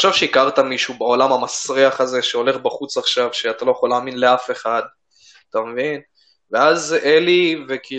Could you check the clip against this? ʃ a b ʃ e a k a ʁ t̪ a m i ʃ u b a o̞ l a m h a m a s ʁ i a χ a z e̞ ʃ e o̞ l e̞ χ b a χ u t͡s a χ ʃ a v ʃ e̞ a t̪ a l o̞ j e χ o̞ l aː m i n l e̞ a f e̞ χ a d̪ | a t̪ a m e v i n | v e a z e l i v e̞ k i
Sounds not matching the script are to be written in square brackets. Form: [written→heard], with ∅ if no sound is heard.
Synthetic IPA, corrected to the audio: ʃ a [b→v] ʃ e [a→i] k a ʁ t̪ a m i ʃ u b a o̞ l a m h a m a s ʁ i a χ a z e̞ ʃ e o̞ l e̞ χ b a χ u t͡s a χ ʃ a v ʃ e̞ a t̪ a l o̞ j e χ o̞ l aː m i n l e̞ a f e̞ χ a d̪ | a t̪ a m e v i n | v e a z e l i v e̞ k i